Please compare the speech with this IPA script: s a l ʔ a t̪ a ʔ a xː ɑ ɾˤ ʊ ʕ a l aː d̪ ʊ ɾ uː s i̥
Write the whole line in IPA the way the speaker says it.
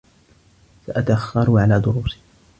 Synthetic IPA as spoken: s a ʔ a t̪ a ʔ a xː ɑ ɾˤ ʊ ʕ a l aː d̪ ʊ ɾ uː s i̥